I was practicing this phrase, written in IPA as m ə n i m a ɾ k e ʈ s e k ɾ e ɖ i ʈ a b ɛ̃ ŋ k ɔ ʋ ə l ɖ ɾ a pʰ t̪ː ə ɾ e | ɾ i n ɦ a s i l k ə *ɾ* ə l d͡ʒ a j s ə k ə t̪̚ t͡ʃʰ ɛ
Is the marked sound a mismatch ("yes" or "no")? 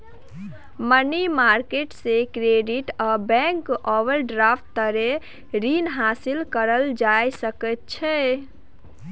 no